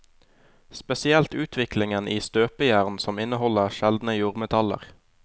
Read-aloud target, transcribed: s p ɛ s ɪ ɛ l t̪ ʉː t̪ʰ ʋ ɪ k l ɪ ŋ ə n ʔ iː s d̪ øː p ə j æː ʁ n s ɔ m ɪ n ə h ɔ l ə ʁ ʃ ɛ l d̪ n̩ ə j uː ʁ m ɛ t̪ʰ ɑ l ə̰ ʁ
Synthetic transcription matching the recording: s p ɛ s ɪ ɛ l t̪ ʉː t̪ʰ ʋ ɪ k l ɪ ŋ ə n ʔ iː s t̪ øː p ə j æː ʁ n s ɔ m ɪ n ə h ɔ l ə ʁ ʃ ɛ l d̪ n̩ ə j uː ʁ m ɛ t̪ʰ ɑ l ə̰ ʁ